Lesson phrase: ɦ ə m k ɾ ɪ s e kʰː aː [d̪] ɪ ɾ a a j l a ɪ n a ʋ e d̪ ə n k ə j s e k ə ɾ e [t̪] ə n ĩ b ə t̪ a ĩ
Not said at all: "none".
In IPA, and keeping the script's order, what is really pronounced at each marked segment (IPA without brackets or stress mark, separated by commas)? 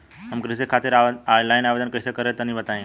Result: t̪, t̪